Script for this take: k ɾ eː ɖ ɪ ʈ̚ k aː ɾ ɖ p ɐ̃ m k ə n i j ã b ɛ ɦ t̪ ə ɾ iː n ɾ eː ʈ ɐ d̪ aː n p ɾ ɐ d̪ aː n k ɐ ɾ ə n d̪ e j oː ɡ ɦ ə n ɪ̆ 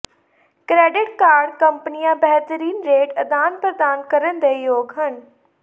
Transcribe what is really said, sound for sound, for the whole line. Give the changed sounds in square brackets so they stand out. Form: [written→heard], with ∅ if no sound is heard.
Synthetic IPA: k ɾ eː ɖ ɪ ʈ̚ k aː ɾ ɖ [p→k] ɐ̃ m [k→p] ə n i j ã b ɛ ɦ t̪ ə ɾ iː n ɾ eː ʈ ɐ d̪ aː n p ɾ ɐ d̪ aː n k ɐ ɾ ə n d̪ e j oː ɡ ɦ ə n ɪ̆